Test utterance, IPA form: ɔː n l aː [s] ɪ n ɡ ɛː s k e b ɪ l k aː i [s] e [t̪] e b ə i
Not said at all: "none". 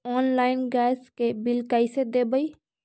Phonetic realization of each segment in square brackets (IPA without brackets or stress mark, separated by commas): none, s, d̪